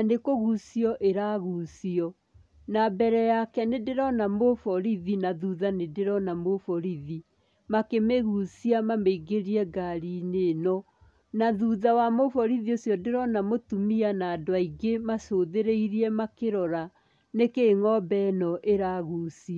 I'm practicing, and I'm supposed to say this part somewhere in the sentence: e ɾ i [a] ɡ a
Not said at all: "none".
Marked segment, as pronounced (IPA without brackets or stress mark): ɛ